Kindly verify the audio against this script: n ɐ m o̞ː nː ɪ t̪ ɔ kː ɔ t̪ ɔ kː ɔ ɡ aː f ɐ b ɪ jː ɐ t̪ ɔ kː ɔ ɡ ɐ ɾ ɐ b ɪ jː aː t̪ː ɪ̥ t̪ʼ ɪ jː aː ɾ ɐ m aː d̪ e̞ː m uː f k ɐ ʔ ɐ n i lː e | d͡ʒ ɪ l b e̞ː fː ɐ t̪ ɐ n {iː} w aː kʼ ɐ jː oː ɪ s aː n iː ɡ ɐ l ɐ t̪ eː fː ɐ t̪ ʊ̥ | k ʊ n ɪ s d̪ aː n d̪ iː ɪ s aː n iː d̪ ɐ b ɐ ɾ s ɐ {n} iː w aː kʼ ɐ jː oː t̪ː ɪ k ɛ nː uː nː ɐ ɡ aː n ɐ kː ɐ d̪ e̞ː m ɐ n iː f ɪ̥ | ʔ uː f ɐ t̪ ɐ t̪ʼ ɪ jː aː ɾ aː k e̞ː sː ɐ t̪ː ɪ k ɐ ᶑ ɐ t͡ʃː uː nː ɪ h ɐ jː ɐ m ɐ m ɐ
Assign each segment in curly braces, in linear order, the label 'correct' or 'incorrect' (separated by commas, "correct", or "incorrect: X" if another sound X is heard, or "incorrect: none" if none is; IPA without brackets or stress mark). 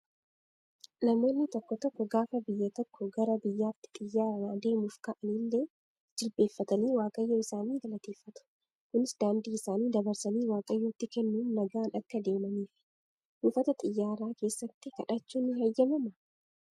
correct, correct